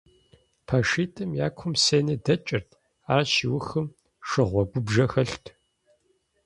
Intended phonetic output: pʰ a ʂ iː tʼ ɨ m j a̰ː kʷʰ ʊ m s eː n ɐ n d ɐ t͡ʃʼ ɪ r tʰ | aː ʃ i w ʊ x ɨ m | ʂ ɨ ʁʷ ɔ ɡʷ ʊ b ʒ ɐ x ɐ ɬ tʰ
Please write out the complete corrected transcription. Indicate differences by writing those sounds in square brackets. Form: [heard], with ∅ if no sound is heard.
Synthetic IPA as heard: pʰ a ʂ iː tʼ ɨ m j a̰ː kʷʰ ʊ m s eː n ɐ [∅] d ɐ t͡ʃʼ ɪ r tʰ | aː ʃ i w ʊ x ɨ m | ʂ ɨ ʁʷ ɔ ɡʷ ʊ b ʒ ɐ x ɐ ɬ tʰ